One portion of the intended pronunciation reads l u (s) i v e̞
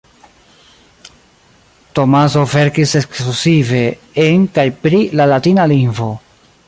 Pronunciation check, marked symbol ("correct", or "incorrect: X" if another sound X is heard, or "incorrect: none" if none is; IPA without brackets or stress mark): correct